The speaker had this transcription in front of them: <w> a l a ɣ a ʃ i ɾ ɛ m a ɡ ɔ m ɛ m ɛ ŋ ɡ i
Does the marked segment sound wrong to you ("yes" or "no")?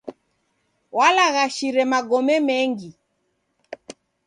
no